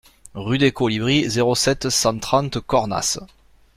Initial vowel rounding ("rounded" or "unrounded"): rounded